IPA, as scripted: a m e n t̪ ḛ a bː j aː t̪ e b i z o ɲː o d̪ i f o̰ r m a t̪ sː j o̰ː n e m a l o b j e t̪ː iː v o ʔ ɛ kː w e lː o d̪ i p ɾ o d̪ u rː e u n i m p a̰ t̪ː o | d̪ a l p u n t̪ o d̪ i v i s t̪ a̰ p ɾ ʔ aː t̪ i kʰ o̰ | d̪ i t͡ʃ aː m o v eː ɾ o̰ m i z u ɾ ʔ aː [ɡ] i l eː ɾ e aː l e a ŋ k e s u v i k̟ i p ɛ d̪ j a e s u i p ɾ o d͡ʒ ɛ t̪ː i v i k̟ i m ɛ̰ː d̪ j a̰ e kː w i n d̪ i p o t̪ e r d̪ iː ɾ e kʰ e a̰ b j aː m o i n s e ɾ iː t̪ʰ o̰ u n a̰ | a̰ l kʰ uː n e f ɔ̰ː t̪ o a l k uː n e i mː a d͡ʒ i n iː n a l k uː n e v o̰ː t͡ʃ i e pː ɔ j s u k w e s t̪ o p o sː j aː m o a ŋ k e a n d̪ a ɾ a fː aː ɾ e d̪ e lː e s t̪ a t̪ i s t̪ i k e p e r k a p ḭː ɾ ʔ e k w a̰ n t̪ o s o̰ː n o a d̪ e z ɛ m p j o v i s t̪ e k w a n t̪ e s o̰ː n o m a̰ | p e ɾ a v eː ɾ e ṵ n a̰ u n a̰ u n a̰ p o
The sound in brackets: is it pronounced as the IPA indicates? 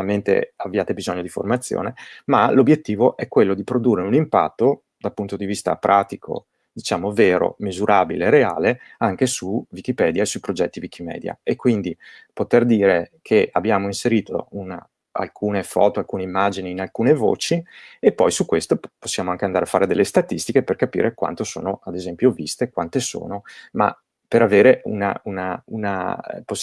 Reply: no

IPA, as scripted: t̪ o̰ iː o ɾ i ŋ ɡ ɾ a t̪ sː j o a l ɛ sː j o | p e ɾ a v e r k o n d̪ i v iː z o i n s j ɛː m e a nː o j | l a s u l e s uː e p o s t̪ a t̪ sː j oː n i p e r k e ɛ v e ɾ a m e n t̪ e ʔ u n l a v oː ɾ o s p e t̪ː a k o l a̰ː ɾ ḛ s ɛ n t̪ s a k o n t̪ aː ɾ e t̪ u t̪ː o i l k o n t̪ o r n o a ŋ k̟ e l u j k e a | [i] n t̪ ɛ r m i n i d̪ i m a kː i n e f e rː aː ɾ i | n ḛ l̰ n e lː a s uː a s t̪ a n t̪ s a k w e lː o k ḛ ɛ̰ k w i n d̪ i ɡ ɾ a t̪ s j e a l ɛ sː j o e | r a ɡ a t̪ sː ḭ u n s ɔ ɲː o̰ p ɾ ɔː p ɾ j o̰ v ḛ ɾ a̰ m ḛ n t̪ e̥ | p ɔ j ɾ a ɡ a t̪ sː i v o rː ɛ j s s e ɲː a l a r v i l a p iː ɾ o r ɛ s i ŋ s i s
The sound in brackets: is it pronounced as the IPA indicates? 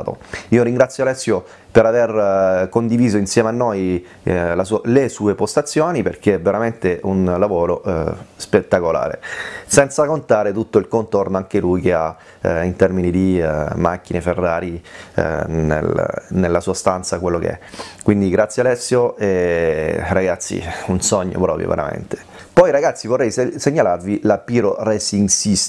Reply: yes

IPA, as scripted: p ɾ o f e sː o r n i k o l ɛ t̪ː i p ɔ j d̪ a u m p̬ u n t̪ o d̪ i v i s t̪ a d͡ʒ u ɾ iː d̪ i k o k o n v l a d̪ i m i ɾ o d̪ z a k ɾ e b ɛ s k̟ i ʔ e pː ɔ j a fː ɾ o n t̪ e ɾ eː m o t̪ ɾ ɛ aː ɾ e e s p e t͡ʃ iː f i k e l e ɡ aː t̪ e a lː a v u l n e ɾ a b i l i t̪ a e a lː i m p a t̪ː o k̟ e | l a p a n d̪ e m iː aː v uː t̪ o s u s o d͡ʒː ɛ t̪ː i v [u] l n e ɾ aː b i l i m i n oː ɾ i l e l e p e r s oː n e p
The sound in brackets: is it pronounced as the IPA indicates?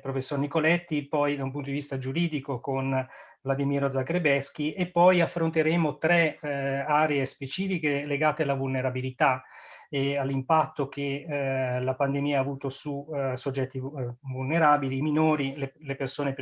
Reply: yes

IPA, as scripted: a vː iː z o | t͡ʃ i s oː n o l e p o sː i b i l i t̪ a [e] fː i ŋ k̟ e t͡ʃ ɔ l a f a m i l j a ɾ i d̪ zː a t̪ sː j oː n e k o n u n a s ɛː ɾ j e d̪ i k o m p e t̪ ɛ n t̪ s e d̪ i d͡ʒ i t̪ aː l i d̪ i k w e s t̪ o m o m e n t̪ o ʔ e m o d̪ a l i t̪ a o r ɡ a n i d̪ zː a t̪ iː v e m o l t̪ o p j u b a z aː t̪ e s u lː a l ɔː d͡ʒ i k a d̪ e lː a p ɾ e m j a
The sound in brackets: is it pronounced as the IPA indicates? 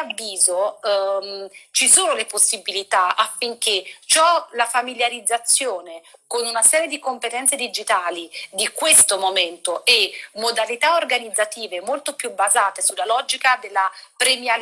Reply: no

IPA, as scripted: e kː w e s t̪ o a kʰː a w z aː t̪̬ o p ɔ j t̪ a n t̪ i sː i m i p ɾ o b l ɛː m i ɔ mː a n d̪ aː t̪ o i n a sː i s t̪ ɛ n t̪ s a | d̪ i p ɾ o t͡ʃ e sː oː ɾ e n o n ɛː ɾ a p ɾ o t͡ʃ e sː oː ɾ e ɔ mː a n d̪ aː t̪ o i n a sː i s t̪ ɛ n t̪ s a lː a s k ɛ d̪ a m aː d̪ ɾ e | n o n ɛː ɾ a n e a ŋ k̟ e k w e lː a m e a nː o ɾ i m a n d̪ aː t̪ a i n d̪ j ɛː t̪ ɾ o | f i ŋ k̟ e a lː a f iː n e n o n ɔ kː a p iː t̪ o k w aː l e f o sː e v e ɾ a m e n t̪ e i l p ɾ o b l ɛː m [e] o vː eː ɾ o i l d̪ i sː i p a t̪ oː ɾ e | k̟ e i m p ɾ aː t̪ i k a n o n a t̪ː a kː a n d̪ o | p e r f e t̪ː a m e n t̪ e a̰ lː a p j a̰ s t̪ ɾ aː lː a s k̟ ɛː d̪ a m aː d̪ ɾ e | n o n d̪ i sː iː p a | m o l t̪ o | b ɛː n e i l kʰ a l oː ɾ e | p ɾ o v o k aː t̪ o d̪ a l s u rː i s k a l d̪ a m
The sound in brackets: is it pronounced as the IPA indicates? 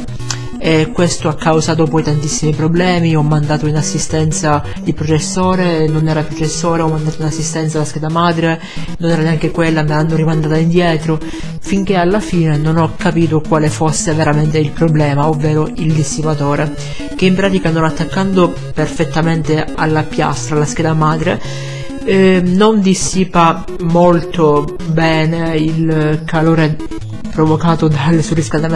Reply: no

